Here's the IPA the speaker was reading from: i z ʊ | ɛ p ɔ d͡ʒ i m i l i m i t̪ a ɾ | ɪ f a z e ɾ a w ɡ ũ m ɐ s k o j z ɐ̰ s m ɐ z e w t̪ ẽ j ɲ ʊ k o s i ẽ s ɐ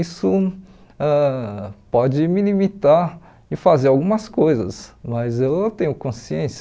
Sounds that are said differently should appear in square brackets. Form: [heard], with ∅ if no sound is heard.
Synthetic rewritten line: i [s] ʊ | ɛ p ɔ d͡ʒ [ɪ] m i l i m i t̪ a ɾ | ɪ f a z e ɾ a w ɡ ũ m ɐ s k o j z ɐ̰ s m ɐ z e w t̪ ẽ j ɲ ʊ k [õ] s i ẽ s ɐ

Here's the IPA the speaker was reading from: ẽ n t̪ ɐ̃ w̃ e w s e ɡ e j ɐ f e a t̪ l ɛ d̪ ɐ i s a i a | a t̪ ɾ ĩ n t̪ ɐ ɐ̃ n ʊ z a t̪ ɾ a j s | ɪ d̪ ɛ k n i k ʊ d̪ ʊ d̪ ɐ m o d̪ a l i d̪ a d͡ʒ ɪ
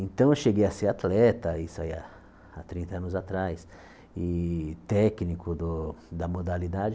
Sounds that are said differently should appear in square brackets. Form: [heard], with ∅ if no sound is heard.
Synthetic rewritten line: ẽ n t̪ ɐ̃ w̃ e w [ʃ] e ɡ e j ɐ [s] e a t̪ l ɛ [t̪] ɐ i s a i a | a t̪ ɾ ĩ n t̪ ɐ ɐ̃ n ʊ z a t̪ ɾ a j s | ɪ [t̪] ɛ k n i k ʊ d̪ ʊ d̪ ɐ m o d̪ a l i d̪ a d͡ʒ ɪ

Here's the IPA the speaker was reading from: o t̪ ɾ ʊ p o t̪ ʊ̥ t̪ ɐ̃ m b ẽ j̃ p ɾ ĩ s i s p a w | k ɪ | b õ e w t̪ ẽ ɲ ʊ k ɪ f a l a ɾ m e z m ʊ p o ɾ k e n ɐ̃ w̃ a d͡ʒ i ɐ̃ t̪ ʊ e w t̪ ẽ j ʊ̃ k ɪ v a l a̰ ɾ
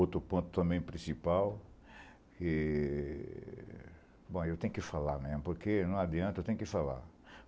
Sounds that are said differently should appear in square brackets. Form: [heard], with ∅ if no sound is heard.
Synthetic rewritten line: o t̪ ɾ ʊ p [õ] t̪ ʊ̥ t̪ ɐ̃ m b ẽ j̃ p ɾ ĩ s i [∅] p a w | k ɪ | b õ e w t̪ ẽ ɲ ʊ k ɪ f a l a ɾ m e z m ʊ p o ɾ k e n ɐ̃ w̃ a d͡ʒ i ɐ̃ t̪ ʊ e w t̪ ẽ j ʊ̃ k ɪ [f] a l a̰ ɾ

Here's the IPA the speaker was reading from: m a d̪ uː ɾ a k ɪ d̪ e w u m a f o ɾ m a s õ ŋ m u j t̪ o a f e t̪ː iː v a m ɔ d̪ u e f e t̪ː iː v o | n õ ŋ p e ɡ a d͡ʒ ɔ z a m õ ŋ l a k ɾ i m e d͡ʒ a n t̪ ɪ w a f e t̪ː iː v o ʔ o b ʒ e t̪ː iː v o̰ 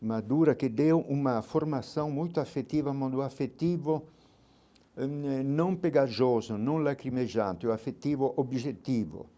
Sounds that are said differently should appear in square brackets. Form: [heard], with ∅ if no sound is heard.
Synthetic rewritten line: m a d̪ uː ɾ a k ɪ d̪ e w u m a f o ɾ m a s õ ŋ m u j t̪ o a f e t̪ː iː v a m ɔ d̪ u [a] f e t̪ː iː v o | n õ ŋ p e ɡ a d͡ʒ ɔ z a [n] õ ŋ l a k ɾ i m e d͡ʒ a n t̪ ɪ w a f e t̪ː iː v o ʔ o b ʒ e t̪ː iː v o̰

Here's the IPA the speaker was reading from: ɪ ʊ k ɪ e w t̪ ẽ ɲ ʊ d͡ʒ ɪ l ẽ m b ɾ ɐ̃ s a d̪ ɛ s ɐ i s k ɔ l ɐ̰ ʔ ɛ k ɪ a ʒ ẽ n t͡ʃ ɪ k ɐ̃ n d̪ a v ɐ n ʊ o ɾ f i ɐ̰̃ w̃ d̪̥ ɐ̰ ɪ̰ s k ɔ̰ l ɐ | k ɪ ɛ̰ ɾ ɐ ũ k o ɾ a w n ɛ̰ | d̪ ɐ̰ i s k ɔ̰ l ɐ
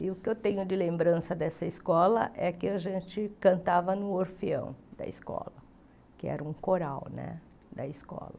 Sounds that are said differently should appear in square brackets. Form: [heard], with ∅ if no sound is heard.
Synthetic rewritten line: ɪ ʊ k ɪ e w t̪ ẽ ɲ ʊ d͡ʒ ɪ l ẽ m b ɾ ɐ̃ s [ɐ] d̪ ɛ s ɐ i s k ɔ l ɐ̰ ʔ ɛ k ɪ a ʒ ẽ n t͡ʃ ɪ k ɐ̃ n [t̪] a v ɐ n ʊ o ɾ f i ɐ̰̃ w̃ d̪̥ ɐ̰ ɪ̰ s k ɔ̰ l ɐ | k ɪ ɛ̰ ɾ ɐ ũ k o ɾ a w n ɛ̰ | d̪ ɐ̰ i s k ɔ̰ l ɐ

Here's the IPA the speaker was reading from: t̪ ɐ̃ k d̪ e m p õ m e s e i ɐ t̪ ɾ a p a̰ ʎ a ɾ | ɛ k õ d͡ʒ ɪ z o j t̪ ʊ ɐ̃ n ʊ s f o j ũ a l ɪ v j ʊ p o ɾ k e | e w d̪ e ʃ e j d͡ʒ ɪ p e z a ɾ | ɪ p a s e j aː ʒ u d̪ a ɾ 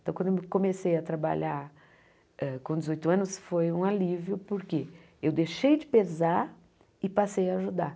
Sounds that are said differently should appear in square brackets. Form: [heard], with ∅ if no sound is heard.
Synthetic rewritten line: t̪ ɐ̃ k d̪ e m [k] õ m e s e [j] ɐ t̪ ɾ a [b] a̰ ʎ a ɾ | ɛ k õ d͡ʒ ɪ z o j t̪ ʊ ɐ̃ n ʊ s f o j ũ a l [i] v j ʊ p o ɾ k e | e w d̪ e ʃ e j d͡ʒ ɪ p e z a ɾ | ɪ p a s e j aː ʒ u d̪ a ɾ

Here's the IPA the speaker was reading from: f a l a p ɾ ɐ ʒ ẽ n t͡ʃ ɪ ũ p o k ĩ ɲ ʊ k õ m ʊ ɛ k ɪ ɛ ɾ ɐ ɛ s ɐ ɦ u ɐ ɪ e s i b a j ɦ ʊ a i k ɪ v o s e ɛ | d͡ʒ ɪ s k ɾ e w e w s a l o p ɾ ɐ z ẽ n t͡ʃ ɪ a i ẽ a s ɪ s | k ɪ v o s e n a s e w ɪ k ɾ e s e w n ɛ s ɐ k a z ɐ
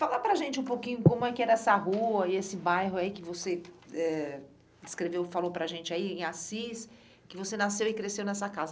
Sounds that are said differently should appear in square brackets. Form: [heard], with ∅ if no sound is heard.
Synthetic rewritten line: f a l a p ɾ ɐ ʒ ẽ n t͡ʃ ɪ ũ p o k ĩ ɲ ʊ k õ m ʊ ɛ k ɪ ɛ ɾ ɐ ɛ s ɐ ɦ u ɐ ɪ e s [ɪ] b a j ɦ ʊ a i k ɪ v o s e ɛ | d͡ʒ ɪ s k ɾ e [v] e w [f] a l o p ɾ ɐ [ʒ] ẽ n t͡ʃ ɪ a i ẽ a s [i] s | k ɪ v o s e n a s e w ɪ k ɾ e s e w n ɛ s ɐ k a z ɐ

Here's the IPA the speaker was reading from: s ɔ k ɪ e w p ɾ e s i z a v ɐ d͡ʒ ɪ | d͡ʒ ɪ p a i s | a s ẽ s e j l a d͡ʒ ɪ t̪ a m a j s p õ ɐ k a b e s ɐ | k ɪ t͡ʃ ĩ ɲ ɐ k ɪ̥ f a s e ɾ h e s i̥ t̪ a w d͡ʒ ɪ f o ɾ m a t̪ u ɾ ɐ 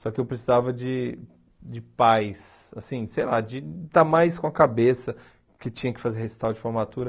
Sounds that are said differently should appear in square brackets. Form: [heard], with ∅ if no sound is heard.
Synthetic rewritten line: s ɔ k ɪ e w p ɾ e s i z a v ɐ d͡ʒ ɪ | d͡ʒ ɪ p a [j] s | a s [ĩ] s e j l a d͡ʒ ɪ t̪ a m a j s [k] õ ɐ k a b e s ɐ | k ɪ t͡ʃ ĩ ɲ ɐ k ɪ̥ f a [z] e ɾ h e s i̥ t̪ a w d͡ʒ ɪ f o ɾ m a t̪ u ɾ ɐ

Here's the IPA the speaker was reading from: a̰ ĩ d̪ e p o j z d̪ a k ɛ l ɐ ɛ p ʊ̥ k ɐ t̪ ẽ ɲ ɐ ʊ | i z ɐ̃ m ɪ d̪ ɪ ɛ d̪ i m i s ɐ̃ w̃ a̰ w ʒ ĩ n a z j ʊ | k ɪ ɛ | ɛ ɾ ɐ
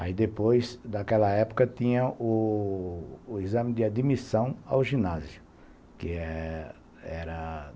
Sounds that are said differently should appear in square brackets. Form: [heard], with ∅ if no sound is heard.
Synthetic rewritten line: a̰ [i] d̪ e p o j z d̪ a k ɛ l ɐ ɛ p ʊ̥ k ɐ t̪ [ĩ] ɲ ɐ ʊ | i z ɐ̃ m ɪ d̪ ɪ [a] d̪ i m i s ɐ̃ w̃ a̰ w ʒ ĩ n a z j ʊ | k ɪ ɛ | ɛ ɾ ɐ

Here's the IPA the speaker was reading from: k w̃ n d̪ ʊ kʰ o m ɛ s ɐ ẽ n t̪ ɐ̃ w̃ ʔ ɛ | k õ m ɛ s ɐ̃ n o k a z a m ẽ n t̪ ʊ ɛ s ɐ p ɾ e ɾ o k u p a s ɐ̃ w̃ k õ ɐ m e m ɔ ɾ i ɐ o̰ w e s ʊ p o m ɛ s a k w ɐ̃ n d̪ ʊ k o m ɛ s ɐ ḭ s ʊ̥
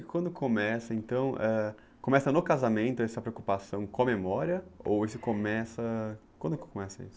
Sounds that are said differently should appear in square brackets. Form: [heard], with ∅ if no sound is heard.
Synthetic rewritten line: k w̃ n d̪ ʊ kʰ o m ɛ s ɐ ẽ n t̪ ɐ̃ w̃ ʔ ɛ | k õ m ɛ s [ɐ] n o k a z a m ẽ n t̪ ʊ ɛ s ɐ p ɾ e [∅] o k u p a s ɐ̃ w̃ k õ ɐ m e m ɔ ɾ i ɐ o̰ w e s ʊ [k] o m ɛ s [ɐ] k w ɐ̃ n d̪ ʊ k o m ɛ s ɐ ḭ s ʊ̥

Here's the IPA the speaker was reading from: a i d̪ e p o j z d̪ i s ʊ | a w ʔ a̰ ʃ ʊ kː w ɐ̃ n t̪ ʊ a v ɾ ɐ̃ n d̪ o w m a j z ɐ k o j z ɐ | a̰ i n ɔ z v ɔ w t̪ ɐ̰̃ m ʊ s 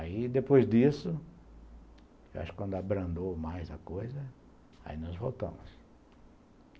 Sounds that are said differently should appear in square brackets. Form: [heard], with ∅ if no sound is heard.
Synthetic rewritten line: a i d̪ e p o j z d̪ i s ʊ | [e] w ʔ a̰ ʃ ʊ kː w ɐ̃ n [d̪] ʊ a [b] ɾ ɐ̃ n d̪ o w m a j z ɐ k o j z ɐ | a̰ i n ɔ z v [o] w t̪ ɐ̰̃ m ʊ s

